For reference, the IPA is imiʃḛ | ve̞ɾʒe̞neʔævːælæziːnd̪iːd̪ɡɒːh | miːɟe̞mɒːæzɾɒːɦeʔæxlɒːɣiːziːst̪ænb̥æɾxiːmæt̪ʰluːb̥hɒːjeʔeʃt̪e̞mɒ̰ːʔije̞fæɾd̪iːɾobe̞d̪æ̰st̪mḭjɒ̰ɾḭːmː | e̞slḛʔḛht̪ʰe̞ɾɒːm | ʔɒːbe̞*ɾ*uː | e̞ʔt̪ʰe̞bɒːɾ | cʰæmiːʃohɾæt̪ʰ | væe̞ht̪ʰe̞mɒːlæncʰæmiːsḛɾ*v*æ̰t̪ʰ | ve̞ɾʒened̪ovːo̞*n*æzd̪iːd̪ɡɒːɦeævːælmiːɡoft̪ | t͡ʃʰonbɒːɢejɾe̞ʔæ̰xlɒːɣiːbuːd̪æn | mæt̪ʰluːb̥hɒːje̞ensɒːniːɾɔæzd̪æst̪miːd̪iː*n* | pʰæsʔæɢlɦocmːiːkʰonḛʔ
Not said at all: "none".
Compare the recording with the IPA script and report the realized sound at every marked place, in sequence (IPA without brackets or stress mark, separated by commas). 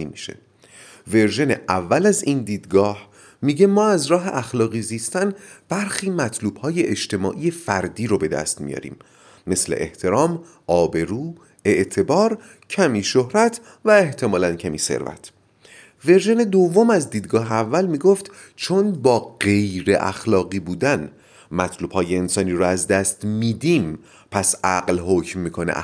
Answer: ɾ, v, m, m